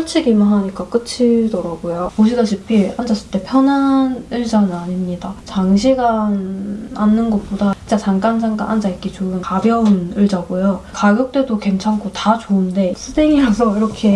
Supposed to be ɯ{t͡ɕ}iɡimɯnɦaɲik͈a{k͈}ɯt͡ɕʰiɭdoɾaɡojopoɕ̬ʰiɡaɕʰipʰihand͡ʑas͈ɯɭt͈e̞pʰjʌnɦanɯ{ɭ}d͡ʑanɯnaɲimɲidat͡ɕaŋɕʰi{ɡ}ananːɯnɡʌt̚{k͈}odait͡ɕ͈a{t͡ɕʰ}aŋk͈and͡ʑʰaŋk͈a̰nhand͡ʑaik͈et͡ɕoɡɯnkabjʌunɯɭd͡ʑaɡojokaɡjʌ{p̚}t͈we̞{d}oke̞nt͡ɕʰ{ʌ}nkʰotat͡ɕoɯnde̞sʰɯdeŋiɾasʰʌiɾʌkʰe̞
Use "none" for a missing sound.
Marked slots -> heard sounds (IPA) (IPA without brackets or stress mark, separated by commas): t͡ɕʰ, k͈, ɭ, ɡ, p͈, t͡ɕ, k̚, d, a